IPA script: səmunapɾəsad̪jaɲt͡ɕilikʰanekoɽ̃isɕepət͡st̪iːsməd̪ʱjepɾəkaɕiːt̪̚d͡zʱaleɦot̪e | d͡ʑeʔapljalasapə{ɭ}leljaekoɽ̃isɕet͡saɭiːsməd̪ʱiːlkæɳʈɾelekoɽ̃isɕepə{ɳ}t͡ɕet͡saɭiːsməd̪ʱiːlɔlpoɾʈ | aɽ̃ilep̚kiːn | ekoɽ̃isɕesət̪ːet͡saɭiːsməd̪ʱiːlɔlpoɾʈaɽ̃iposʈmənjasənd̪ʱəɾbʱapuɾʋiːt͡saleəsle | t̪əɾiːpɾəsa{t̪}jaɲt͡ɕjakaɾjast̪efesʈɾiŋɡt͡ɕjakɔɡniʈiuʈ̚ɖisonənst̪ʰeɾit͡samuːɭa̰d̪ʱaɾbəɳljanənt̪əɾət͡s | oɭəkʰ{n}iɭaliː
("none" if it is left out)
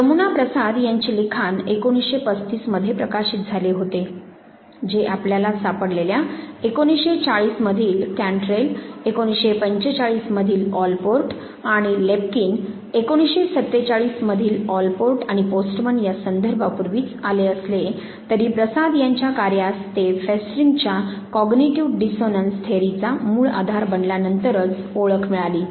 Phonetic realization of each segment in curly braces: ɽ, ɲ, d̪, m

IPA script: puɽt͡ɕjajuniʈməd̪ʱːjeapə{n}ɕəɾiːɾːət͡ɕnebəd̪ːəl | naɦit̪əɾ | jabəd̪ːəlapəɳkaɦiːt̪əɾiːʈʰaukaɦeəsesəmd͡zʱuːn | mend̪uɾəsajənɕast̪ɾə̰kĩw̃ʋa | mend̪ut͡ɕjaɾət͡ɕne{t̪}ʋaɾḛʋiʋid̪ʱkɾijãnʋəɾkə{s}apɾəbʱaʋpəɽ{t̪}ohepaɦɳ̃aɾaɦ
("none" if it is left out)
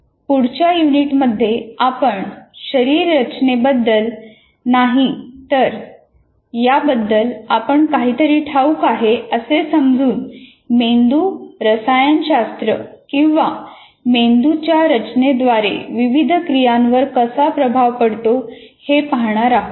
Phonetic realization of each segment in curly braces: ɳ, d̪, s, t̪

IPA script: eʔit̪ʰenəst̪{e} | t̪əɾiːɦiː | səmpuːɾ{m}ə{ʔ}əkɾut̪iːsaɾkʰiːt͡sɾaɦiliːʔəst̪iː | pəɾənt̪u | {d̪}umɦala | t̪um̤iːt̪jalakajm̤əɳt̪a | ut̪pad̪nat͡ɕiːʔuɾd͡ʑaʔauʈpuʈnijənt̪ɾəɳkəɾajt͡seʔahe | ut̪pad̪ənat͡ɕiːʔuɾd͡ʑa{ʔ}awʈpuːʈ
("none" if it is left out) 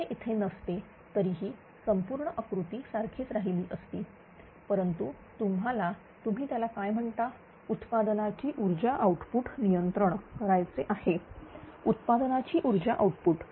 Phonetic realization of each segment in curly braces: e, ɳ, ʔ, t̪, ʔ

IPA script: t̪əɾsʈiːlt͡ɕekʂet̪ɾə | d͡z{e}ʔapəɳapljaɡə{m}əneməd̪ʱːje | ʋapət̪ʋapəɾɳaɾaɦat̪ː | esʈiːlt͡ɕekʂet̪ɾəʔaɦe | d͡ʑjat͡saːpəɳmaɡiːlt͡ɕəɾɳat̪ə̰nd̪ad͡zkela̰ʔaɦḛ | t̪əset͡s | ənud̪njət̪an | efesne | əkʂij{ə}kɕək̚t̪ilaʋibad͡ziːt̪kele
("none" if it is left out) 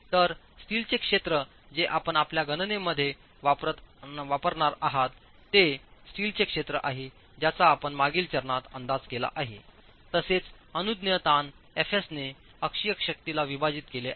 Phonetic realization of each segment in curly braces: e, n, ə

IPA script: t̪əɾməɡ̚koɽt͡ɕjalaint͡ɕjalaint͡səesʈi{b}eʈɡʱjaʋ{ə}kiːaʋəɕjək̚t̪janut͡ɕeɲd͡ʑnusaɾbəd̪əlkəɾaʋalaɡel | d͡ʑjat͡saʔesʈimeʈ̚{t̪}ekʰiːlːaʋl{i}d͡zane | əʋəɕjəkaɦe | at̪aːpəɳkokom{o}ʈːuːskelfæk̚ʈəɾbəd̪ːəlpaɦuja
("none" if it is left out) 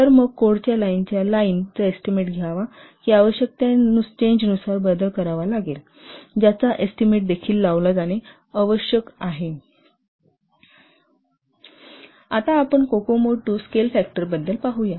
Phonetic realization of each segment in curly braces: m, a, d̪, a, o

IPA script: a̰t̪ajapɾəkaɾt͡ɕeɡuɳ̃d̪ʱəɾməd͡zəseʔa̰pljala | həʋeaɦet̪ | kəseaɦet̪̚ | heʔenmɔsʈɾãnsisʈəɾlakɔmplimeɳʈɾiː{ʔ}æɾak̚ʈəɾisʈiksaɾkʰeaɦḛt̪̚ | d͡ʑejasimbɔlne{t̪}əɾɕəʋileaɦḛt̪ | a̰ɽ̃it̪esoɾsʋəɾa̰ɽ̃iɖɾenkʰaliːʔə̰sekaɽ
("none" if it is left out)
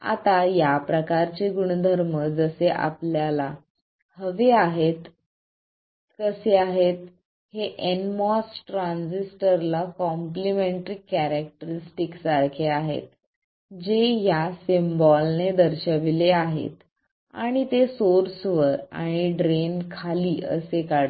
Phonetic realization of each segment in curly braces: k, d̪

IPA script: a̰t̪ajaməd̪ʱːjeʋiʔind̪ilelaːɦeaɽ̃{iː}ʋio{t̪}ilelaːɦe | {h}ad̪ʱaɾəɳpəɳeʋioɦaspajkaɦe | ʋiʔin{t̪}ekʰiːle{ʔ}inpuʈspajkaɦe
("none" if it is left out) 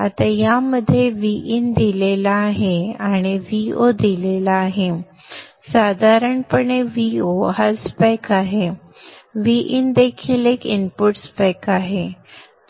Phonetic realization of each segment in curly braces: i, d̪, s, d̪, k

